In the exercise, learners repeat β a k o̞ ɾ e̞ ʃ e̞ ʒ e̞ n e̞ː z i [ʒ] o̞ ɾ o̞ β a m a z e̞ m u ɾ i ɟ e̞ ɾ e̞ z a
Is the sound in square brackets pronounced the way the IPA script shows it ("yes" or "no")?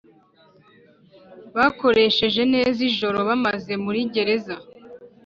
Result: yes